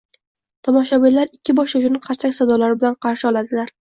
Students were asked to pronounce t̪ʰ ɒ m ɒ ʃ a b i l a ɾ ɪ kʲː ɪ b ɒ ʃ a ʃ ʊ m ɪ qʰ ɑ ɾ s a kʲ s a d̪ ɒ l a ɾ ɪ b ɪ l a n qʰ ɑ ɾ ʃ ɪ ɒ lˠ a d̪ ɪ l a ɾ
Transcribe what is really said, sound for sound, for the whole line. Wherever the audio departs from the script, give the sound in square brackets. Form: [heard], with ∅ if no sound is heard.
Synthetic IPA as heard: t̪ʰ ɒ m ɒ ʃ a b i l a ɾ ɪ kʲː ɪ b ɒ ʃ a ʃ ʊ [n] ɪ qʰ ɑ ɾ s a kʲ s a d̪ ɒ l a ɾ ɪ b ɪ l a n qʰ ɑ ɾ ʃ ɪ ɒ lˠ a d̪ ɪ l a ɾ

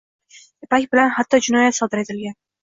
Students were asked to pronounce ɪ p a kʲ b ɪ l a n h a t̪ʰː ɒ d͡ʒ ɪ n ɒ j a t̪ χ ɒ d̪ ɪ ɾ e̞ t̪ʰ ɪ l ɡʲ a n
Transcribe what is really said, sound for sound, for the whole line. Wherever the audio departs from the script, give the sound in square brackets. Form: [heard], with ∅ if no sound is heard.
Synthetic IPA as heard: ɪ p a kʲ b ɪ l a n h a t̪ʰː ɒ d͡ʒ ɪ n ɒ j a t̪ [s] ɒ d̪ ɪ ɾ e̞ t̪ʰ ɪ l ɡʲ a n

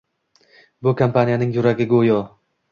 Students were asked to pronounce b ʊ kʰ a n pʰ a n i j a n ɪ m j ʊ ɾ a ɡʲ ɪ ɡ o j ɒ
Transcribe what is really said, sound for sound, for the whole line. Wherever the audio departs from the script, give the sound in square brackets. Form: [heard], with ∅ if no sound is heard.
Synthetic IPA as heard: b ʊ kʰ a [m] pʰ a n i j a n ɪ [ŋ] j ʊ ɾ a ɡʲ ɪ ɡ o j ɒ

